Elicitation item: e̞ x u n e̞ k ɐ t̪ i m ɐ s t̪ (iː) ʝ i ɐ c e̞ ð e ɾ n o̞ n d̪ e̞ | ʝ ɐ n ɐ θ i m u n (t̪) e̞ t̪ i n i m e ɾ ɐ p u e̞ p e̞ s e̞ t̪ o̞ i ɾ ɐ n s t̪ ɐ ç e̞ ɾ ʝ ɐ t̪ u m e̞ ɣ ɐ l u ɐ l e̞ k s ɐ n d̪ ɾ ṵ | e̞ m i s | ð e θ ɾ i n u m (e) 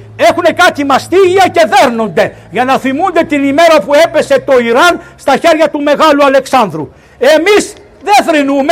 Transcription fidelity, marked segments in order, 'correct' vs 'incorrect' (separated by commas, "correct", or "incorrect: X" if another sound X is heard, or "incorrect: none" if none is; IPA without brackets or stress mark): incorrect: i, incorrect: d̪, correct